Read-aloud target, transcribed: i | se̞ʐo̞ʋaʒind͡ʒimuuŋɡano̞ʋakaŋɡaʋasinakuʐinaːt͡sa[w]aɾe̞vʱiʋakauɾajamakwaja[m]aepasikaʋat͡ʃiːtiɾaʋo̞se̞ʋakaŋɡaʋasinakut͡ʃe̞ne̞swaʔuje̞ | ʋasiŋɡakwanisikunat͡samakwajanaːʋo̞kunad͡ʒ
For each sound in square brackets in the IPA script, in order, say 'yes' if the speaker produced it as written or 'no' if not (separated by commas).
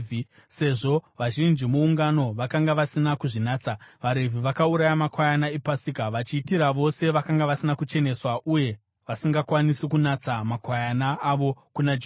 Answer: no, no